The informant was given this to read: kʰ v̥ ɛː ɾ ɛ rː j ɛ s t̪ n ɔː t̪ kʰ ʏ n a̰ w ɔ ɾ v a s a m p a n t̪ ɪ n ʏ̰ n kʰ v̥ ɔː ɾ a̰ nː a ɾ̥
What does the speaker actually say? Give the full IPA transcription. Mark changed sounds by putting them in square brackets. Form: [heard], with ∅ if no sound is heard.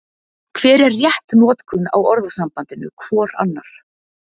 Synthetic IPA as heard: kʰ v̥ ɛː ɾ ɛ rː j ɛ [h] t̪ n ɔː t̪ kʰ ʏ n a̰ w ɔ ɾ [ð] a s a m p a n t̪ ɪ n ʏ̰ [∅] kʰ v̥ ɔː ɾ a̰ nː a ɾ̥